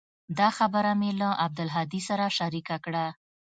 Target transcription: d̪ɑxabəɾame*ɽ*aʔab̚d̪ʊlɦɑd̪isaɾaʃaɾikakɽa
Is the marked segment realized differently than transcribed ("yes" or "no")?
yes